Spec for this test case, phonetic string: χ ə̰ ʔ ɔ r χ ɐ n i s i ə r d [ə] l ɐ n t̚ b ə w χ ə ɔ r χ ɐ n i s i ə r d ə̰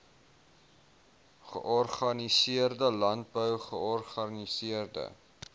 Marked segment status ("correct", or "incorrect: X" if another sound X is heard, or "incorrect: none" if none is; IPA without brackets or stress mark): correct